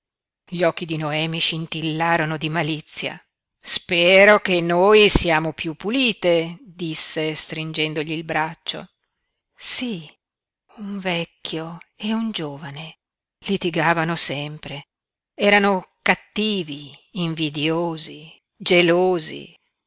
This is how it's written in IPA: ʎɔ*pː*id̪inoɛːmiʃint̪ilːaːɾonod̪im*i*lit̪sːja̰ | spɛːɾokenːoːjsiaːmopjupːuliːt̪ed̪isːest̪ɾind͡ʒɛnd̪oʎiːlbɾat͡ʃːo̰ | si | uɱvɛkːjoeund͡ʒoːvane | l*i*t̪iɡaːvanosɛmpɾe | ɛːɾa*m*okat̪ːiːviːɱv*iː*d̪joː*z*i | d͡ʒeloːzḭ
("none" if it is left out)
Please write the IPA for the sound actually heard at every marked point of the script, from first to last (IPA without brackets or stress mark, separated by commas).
kː, a, i, n, i, z